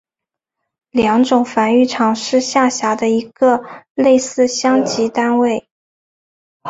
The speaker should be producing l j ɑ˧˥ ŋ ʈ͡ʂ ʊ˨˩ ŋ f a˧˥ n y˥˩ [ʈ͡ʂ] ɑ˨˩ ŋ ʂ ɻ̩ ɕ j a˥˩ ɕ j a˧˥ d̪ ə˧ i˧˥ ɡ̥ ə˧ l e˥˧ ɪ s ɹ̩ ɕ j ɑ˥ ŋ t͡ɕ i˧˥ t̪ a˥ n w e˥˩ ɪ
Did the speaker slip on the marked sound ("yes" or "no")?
yes